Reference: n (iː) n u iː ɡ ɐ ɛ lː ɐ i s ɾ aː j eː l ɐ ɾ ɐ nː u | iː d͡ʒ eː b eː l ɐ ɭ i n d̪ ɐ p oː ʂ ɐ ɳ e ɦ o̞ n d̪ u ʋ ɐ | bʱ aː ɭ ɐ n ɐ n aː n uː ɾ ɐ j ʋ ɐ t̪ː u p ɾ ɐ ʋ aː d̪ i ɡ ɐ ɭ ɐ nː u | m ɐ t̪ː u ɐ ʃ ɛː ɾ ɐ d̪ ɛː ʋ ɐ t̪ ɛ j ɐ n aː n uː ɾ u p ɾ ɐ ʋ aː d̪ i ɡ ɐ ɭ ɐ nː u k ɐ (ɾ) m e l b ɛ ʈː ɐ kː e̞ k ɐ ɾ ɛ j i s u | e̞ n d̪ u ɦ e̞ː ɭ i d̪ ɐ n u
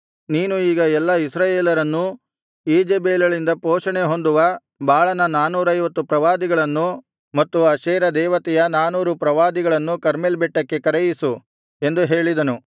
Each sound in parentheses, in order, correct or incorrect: correct, correct

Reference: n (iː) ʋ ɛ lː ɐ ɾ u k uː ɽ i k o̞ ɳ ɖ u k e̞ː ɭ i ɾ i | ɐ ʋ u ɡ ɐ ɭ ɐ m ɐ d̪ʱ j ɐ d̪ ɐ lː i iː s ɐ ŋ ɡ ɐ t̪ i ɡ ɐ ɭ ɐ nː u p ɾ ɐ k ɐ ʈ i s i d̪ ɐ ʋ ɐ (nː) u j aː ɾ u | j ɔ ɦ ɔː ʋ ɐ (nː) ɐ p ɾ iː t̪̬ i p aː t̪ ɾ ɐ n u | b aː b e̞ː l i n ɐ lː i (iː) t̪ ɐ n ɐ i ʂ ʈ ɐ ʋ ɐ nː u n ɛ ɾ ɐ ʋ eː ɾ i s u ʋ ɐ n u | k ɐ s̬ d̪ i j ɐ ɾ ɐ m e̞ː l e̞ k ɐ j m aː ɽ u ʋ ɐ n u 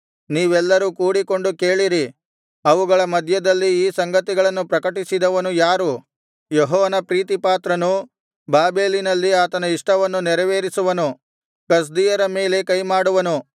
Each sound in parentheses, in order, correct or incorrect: correct, incorrect, incorrect, incorrect

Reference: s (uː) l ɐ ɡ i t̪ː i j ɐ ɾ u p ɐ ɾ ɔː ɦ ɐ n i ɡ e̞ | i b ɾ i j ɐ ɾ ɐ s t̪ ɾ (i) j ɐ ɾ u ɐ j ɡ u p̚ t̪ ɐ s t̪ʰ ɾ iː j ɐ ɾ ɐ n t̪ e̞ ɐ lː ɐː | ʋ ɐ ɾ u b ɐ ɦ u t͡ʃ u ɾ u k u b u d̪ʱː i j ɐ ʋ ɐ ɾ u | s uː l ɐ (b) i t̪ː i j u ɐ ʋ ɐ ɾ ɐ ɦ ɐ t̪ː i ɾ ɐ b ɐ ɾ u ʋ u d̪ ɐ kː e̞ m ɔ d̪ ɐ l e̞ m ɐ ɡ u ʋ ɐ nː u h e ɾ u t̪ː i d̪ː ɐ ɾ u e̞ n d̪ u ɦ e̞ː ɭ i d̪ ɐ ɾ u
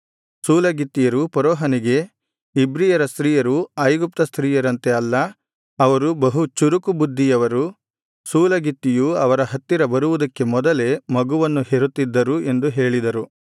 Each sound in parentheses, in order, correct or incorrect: correct, incorrect, incorrect

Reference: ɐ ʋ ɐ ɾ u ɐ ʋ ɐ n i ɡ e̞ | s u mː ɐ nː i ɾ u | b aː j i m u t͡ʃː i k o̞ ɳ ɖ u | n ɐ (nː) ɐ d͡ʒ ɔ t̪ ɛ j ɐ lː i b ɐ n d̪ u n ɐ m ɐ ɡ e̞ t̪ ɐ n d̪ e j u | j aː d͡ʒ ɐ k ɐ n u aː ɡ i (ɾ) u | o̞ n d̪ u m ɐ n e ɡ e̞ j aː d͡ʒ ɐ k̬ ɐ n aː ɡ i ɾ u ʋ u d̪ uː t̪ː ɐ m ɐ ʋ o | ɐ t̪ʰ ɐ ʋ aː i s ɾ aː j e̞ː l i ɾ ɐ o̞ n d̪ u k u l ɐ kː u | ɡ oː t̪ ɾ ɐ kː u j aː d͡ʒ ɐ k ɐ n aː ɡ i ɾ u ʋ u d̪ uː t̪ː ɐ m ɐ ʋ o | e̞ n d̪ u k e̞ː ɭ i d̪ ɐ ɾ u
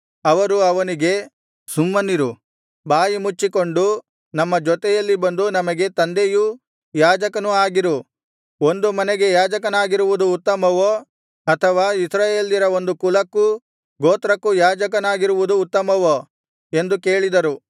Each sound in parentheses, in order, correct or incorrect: incorrect, correct

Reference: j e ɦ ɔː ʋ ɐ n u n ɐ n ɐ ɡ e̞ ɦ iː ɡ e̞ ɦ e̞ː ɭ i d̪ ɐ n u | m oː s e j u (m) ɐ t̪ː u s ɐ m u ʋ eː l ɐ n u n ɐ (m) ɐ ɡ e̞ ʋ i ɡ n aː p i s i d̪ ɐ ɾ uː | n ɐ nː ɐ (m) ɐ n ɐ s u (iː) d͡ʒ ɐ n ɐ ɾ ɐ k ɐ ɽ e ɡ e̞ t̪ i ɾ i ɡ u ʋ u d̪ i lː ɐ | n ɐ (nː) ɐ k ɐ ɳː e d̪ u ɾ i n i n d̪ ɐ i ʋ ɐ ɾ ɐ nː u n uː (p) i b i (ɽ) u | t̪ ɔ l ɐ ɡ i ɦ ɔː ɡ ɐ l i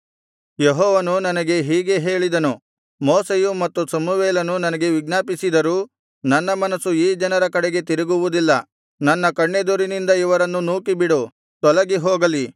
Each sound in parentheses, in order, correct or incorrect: correct, incorrect, correct, correct, correct, incorrect, correct

